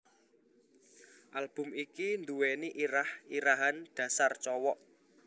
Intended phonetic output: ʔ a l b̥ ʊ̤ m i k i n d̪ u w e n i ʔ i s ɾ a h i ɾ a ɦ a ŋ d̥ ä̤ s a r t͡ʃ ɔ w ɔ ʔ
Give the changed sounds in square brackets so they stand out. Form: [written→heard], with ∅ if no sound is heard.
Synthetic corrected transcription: ʔ a l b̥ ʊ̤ m i k i n d̪ u w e n i ʔ i [s→∅] ɾ a h i ɾ a ɦ a [ŋ→n] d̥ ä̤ s a r t͡ʃ ɔ w ɔ ʔ